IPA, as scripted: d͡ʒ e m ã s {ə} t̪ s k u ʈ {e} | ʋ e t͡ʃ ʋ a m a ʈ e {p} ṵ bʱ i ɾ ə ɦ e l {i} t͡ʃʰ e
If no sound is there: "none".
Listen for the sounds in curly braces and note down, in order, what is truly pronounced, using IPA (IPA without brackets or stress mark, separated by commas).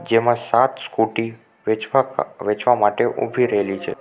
a, i, ʔ, i